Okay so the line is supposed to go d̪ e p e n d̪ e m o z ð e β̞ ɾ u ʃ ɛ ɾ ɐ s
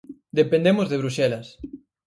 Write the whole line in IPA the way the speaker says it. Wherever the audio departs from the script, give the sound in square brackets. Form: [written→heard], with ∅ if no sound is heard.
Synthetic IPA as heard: d̪ e p e n d̪ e m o z ð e β̞ ɾ u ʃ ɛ [ɾ→l] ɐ s